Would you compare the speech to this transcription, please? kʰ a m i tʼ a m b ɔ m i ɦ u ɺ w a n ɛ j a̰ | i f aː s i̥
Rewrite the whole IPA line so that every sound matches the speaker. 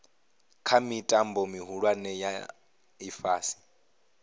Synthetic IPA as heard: kʰ a m i tʼ a m b ɔ m i ɦ u ɺ w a n ɛ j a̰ | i f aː s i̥